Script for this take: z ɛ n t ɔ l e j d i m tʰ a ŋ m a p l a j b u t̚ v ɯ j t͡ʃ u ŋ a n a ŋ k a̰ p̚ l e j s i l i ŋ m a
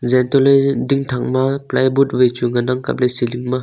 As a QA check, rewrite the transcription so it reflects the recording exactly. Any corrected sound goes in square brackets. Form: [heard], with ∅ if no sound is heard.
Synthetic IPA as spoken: z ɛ n t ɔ l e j d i [ŋ] tʰ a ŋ m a p l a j b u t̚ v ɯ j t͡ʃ u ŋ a n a ŋ k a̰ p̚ l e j s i l i ŋ m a